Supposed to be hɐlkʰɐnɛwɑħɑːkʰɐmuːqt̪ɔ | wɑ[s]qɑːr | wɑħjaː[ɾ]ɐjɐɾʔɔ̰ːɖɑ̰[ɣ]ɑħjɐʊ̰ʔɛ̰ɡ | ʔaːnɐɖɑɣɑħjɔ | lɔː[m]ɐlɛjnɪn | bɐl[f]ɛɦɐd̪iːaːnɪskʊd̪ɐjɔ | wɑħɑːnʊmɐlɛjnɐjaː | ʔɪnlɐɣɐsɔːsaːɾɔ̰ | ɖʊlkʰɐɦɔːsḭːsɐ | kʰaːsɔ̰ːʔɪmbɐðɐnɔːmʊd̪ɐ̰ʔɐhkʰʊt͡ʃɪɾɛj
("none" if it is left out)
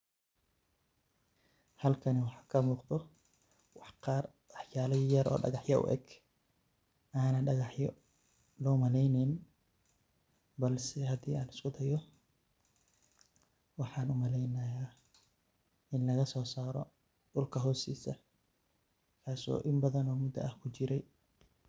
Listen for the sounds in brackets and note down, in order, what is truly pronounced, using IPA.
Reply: ħ, l, ɣ, m, s

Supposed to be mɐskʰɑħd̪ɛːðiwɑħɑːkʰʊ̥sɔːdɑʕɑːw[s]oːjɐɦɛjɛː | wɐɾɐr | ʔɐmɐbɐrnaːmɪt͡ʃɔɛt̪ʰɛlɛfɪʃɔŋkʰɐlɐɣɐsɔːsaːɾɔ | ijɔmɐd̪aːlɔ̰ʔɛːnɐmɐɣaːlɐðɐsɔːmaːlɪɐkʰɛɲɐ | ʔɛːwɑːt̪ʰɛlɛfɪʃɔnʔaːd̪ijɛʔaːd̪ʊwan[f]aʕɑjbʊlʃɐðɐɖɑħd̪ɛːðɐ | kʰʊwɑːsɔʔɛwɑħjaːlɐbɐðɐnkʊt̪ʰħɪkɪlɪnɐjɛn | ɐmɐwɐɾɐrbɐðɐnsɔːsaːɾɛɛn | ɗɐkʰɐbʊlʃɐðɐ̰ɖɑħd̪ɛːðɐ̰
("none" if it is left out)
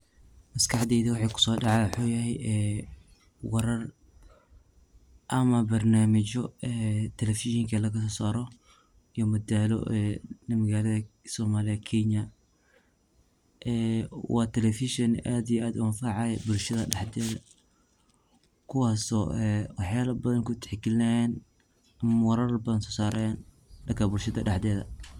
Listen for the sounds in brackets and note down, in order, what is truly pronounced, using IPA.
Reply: ħ, f

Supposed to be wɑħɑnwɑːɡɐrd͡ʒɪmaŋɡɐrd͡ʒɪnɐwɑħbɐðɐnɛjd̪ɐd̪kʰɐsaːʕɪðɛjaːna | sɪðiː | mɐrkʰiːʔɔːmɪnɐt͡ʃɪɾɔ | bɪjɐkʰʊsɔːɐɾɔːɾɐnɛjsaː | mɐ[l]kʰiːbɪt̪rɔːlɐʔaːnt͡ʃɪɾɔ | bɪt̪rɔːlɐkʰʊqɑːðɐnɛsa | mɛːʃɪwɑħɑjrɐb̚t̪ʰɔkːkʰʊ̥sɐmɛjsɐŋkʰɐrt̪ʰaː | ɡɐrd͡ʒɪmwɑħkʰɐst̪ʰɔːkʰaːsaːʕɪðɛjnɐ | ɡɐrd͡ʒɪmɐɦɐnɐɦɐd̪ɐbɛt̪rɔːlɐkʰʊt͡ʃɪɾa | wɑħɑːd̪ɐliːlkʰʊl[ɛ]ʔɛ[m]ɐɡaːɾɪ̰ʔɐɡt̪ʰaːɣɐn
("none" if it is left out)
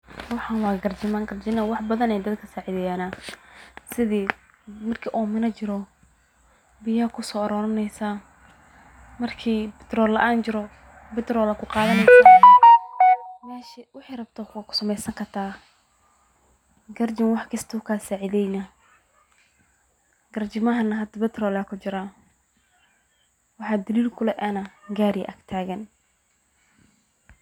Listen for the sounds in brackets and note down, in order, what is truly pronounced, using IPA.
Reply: r, ɛ, n

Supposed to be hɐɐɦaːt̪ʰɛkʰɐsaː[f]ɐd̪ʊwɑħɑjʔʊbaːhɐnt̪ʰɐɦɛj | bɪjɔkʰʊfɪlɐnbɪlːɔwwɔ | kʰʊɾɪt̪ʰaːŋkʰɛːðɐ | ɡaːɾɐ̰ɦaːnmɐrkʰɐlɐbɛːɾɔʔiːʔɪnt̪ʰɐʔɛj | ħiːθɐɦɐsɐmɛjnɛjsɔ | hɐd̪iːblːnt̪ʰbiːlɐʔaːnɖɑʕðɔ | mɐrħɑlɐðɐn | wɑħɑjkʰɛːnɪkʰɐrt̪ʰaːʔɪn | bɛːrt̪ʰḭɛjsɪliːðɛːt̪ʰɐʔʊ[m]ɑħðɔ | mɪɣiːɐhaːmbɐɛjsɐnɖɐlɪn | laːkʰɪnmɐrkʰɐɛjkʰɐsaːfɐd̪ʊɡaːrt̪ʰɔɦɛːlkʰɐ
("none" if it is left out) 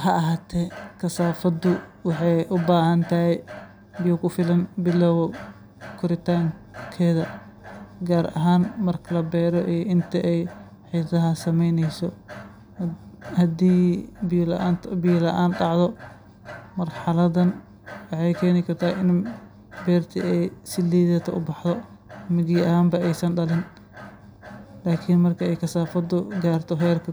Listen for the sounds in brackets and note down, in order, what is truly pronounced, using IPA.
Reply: f, b

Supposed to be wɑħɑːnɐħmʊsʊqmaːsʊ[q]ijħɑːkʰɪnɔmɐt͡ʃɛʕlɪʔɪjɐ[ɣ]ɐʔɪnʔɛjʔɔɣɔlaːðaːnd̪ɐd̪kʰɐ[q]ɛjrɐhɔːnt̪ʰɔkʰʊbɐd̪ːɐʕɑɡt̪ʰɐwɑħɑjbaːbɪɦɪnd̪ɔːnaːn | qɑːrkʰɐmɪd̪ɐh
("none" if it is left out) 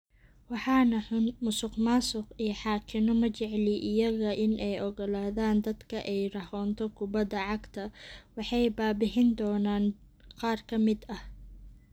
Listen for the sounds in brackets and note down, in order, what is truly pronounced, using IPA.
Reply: q, ɣ, ʔ

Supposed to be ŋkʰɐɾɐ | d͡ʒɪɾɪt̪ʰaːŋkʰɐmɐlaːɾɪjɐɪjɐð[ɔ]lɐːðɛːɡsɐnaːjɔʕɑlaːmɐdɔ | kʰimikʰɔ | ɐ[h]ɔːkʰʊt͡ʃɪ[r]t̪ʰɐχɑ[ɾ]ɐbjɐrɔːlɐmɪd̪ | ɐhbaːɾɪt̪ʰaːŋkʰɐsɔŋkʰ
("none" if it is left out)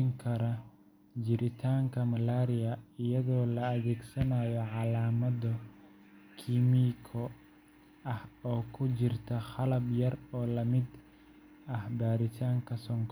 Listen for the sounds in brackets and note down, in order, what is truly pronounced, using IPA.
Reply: ɔː, h, r, l

